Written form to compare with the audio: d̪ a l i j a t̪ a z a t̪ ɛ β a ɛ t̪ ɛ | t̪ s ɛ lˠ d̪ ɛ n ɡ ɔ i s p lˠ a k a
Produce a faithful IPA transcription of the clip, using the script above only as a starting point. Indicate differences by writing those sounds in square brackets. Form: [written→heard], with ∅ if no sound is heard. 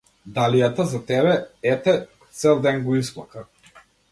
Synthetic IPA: d̪ a l i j a t̪ a z a t̪ ɛ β [a→ɛ] ɛ t̪ ɛ | t̪ s ɛ lˠ d̪ ɛ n ɡ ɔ i s p lˠ a k a

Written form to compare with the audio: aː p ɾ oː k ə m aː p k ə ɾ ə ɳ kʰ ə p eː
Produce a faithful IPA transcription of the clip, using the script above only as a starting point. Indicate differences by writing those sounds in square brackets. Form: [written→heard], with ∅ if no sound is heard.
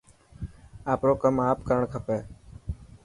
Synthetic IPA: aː p ɾ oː k ə m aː p k ə ɾ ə ɳ kʰ ə p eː

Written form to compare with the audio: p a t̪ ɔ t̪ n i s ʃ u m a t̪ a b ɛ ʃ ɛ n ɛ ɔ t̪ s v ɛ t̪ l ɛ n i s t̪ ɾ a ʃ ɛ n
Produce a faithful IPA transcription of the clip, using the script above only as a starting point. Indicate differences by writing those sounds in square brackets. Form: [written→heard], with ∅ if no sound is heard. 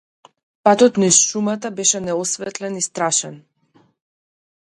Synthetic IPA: p a t̪ ɔ t̪ n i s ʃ u m a t̪ a b ɛ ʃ ɛ n ɛ ɔ [t̪→∅] s v ɛ t̪ l ɛ n i s t̪ ɾ a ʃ ɛ n

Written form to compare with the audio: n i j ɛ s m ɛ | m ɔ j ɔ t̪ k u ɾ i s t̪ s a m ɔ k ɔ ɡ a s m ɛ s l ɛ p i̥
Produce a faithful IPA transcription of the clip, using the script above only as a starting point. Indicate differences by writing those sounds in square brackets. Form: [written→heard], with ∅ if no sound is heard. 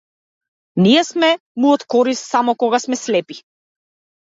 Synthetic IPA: n i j ɛ s m ɛ | m [ɔ→u] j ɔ t̪ k [u→ɔ] ɾ i s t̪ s a m ɔ k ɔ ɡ a s m ɛ s l ɛ p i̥

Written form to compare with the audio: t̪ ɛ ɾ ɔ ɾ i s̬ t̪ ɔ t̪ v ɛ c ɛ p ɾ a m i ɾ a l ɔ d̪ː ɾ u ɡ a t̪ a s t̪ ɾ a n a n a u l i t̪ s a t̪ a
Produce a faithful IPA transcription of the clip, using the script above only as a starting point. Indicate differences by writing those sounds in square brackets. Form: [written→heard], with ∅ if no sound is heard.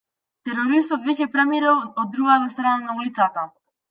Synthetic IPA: t̪ ɛ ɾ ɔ ɾ i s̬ t̪ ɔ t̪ v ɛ c ɛ p ɾ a m i ɾ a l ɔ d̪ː ɾ u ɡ a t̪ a s t̪ ɾ a n a n a u l i t̪ s a t̪ a

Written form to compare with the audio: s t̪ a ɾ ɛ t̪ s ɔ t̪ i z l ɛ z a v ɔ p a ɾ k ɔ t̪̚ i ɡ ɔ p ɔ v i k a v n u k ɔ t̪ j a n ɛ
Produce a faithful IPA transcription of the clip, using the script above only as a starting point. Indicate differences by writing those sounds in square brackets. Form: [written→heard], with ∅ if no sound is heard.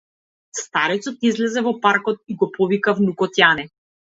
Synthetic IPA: s t̪ a ɾ ɛ t̪ s ɔ t̪ i z l ɛ z [a→ɛ] v ɔ p a ɾ k ɔ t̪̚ i ɡ ɔ p ɔ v i k a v n u k ɔ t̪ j a n ɛ

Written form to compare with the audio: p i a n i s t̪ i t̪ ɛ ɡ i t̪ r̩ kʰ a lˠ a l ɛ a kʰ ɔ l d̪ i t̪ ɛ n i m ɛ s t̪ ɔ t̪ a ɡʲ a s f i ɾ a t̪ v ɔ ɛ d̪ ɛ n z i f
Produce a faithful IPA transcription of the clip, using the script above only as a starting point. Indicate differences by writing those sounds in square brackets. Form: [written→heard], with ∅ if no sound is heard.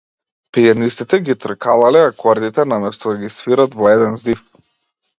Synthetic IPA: p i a n i s t̪ i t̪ ɛ ɡ i t̪ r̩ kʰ a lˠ a l ɛ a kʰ ɔ [l→ɾ] d̪ i t̪ ɛ n [i→a] m ɛ s t̪ ɔ [t̪→d̪] a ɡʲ [a→i] s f i ɾ a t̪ v ɔ ɛ d̪ ɛ n z i f

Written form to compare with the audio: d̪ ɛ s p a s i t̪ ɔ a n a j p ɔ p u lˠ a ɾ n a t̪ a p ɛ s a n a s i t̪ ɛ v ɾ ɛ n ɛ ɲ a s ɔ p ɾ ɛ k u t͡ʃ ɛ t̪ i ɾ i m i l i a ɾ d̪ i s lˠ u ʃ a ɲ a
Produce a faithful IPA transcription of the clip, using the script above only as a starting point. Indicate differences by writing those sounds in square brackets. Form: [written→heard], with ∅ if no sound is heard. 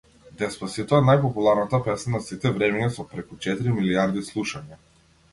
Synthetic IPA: d̪ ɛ s p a s i t̪ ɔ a n a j p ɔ p u lˠ a ɾ n a t̪ a p ɛ s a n a s i t̪ ɛ v ɾ ɛ [n→m] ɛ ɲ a s ɔ p ɾ ɛ k u t͡ʃ ɛ t̪ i ɾ i m i l i a ɾ d̪ i s lˠ u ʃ a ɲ a

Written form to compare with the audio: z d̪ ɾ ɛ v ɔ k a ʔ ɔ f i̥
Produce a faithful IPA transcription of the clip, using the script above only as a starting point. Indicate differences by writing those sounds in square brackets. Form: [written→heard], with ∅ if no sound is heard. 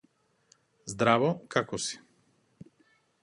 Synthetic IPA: z d̪ ɾ [ɛ→a] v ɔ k a [ʔ→k] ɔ [f→s] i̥

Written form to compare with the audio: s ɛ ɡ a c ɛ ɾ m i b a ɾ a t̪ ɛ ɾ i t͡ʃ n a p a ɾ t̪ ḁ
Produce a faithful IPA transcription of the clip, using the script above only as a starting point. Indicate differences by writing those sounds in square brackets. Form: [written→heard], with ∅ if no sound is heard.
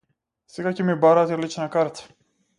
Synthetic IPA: s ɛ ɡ a c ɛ [ɾ→∅] m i b a ɾ a t̪ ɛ [ɾ→l] i t͡ʃ n a [p→k] a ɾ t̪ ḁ

